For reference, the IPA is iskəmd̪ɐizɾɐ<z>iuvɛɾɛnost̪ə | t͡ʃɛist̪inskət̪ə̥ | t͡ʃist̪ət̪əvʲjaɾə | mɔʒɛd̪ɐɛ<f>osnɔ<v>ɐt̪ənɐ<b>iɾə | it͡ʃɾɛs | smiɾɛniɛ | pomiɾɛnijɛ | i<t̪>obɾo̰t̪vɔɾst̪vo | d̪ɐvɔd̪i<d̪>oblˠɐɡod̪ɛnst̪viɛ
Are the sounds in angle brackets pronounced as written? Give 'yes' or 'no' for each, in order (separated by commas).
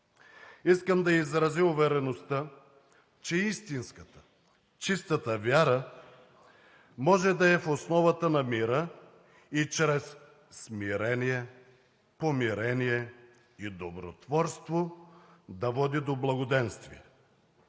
yes, yes, yes, no, no, yes